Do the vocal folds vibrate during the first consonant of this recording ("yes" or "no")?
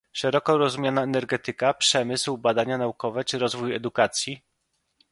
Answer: no